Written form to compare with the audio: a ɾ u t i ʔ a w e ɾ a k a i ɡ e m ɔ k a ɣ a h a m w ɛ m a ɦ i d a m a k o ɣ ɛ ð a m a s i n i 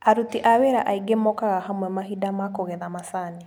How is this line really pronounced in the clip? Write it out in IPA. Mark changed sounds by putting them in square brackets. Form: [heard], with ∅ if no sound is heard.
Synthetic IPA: a ɾ u t i ʔ a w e ɾ a [ʔ] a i ɡ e m ɔ k a ɣ a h a m w ɛ m a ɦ i d a m a k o ɣ ɛ ð a m a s [a] n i

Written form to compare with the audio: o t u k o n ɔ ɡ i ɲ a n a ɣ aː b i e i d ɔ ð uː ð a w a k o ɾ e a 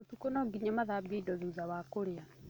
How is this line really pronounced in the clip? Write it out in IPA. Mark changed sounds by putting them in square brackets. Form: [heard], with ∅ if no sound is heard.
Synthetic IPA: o t u k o n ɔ ɡ i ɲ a [m] a [ð] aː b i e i d ɔ ð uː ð a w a k o ɾ e a

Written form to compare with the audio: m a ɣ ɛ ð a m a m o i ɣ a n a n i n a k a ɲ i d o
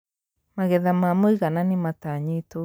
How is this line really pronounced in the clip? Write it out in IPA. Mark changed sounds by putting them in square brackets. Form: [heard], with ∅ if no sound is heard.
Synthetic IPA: m a ɣ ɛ ð a m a m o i ɣ a n a n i [m] a [t] a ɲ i [t] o

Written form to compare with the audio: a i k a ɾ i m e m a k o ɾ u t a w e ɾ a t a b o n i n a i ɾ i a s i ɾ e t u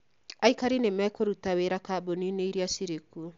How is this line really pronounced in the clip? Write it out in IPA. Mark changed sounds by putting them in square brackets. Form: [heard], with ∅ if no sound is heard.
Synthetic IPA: a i k a ɾ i [n] e m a k o ɾ u t a w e ɾ a [k] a b o n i n [e] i ɾ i a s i ɾ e [k] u

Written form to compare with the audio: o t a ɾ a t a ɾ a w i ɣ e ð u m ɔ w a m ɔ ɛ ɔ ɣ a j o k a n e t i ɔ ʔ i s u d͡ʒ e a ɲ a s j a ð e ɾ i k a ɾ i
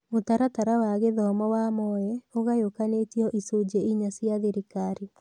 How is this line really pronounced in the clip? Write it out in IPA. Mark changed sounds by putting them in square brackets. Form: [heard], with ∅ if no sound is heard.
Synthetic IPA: o t a ɾ a t a ɾ a w [a] ɣ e ð [ɔ] m ɔ w a m ɔ ɛ [o] ɣ a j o k a n e t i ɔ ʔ i s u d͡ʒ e [i] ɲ a s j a ð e ɾ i k a ɾ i

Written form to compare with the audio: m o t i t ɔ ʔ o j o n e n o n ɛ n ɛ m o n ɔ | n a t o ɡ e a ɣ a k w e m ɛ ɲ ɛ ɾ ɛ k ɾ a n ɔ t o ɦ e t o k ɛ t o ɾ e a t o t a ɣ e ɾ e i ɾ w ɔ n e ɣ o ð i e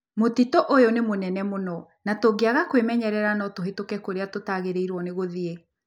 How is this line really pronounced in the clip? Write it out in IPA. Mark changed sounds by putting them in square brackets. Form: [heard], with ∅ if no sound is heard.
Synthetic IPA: m o t i t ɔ ʔ o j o n e [m] o n ɛ n ɛ m o n ɔ | n a t o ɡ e a ɣ a k w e m ɛ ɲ ɛ ɾ ɛ [∅] ɾ a n ɔ t o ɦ e t o k ɛ [k] o ɾ e a t o t a ɣ e ɾ e i ɾ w ɔ n e ɣ o ð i e

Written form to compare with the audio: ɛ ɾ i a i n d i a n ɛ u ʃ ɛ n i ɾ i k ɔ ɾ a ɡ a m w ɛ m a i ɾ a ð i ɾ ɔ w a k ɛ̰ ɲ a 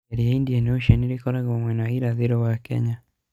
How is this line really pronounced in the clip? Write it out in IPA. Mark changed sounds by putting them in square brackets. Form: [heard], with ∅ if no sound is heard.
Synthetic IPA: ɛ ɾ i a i n d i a n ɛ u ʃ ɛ n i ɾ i k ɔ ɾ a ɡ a m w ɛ [n] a i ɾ a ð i ɾ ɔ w a k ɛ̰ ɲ a

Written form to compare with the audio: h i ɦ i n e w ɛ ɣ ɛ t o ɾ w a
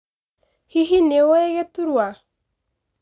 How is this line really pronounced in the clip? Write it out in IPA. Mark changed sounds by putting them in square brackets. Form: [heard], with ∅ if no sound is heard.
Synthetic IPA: h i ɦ i n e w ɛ ɣ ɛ t [u] ɾ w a

